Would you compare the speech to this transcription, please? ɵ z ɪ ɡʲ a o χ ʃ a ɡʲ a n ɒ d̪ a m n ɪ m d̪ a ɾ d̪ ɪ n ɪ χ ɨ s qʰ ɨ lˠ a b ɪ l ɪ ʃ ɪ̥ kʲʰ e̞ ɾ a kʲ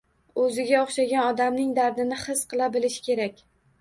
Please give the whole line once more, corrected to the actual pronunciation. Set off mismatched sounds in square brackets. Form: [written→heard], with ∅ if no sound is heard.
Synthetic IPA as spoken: ɵ z ɪ ɡʲ a o χ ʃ a ɡʲ a n ɒ d̪ a m n ɪ [m→ŋ] d̪ a ɾ d̪ ɪ n ɪ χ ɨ s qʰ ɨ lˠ a b ɪ l ɪ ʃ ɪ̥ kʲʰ e̞ ɾ a kʲ